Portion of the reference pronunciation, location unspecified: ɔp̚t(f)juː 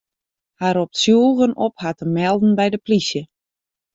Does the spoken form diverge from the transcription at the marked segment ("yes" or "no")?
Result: yes